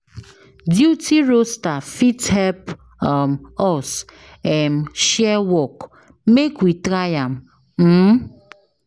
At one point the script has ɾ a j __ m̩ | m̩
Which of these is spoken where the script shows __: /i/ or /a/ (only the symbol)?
a